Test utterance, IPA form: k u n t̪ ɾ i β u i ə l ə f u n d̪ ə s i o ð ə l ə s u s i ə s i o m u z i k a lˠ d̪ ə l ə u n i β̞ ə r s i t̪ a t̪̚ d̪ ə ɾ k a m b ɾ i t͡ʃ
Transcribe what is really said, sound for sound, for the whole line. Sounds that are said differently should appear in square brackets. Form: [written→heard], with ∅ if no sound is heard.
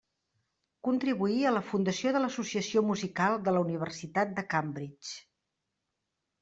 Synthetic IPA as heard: k u n t̪ ɾ i β u i ə l ə f u n d̪ ə s i o ð ə l ə s u s i ə s i o m u z i k a lˠ d̪ ə l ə u n i β̞ ə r s i t̪ a t̪̚ d̪ ə [ɾ→∅] k a m b ɾ i t͡ʃ